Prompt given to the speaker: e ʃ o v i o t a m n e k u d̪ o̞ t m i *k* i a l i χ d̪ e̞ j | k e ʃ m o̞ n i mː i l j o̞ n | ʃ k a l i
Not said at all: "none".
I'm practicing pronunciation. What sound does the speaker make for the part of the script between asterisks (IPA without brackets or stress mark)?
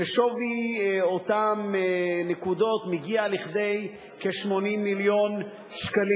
ɡ